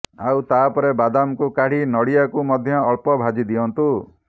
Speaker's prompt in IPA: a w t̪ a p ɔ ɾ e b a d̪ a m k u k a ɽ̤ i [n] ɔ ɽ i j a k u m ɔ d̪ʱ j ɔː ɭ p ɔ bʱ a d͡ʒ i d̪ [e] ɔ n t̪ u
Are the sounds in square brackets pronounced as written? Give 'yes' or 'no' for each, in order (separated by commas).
yes, no